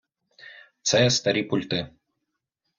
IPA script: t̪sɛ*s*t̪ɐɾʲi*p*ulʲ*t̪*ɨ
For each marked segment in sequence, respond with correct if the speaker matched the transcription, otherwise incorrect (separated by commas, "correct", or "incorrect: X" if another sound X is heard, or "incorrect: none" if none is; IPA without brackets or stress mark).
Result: correct, correct, correct